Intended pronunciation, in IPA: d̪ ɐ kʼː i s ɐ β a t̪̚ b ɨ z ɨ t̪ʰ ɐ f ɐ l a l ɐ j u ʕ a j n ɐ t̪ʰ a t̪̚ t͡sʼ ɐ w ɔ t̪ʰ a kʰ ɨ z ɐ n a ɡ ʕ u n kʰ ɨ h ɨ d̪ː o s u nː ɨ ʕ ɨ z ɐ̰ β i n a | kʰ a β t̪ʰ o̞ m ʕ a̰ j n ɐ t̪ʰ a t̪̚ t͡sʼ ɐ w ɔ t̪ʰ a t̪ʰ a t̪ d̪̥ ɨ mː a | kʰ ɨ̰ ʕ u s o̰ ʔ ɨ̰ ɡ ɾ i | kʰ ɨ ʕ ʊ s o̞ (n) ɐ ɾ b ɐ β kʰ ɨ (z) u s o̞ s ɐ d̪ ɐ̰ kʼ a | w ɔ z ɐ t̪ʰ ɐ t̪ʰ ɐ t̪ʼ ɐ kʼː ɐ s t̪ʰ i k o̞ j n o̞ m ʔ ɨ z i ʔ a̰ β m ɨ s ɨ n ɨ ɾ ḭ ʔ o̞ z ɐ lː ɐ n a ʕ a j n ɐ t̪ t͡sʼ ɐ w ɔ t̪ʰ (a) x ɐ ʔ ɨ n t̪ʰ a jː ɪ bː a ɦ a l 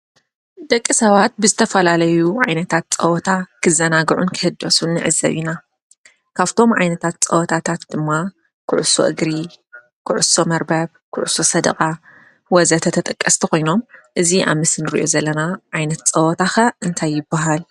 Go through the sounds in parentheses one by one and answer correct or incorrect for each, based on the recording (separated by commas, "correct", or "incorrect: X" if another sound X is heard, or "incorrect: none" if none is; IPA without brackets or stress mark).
incorrect: m, incorrect: ʕ, correct